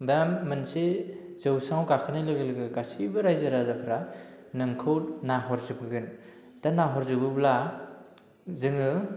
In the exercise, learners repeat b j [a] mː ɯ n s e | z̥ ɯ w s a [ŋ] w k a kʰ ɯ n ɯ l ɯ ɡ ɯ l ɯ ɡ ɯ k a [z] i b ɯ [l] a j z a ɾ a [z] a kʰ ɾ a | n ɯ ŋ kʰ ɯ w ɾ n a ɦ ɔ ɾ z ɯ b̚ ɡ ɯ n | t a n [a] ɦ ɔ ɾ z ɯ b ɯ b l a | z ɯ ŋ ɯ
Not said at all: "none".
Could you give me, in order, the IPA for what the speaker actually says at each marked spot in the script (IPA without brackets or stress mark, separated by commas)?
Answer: a, ŋ, s, ɾ, z, a